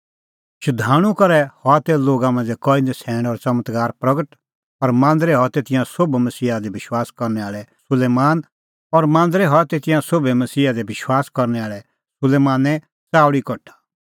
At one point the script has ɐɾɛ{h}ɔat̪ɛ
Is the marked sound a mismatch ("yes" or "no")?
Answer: no